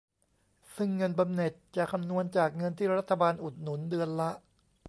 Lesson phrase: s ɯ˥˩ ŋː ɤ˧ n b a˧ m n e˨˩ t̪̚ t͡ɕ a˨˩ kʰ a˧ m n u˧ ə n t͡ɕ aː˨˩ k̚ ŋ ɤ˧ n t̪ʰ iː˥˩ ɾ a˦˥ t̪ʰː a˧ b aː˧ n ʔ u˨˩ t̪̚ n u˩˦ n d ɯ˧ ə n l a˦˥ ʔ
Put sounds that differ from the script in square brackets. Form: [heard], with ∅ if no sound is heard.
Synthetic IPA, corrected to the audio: s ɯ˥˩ ŋː ɤ˧ n b a˧ m n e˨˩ t̪̚ t͡ɕ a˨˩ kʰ a˧ m n u˧ ə n t͡ɕ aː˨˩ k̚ ŋ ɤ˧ n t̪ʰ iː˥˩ ɾ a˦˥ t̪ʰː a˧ b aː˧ n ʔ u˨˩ t̪̚ n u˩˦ n d ɯ˧ ə n l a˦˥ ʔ